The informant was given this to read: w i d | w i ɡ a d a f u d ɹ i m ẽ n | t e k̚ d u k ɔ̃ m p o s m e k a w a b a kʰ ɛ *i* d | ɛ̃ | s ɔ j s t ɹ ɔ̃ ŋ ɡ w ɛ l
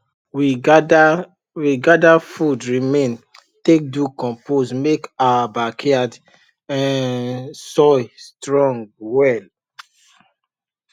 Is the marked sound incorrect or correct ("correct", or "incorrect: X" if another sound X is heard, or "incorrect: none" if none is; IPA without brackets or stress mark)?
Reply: incorrect: a